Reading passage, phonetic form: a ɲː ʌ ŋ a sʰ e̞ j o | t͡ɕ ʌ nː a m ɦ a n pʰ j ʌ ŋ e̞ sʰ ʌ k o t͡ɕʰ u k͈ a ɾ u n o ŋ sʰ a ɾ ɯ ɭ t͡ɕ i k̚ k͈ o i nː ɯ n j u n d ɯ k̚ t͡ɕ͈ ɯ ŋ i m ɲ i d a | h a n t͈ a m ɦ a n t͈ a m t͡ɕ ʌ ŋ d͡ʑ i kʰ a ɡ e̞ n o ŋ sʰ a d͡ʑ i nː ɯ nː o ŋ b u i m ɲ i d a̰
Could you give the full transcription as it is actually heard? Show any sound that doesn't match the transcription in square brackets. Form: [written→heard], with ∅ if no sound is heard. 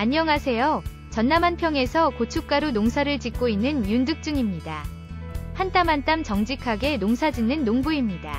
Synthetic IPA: a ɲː ʌ ŋ a sʰ e̞ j o | t͡ɕ ʌ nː a m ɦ a n pʰ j ʌ ŋ e̞ sʰ ʌ k o t͡ɕʰ u k͈ a ɾ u n o ŋ sʰ a ɾ ɯ ɭ t͡ɕ i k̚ k͈ o i nː ɯ n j u n d ɯ k̚ t͡ɕ͈ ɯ ŋ i m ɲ i d a | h a n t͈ a m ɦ a n t͈ a m t͡ɕ ʌ ŋ d͡ʑ i kʰ a ɡ e̞ n o ŋ sʰ a d͡ʑ i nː ɯ nː o ŋ b u i m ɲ i d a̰